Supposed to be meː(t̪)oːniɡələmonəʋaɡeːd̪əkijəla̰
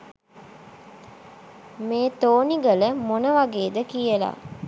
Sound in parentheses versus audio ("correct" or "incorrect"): correct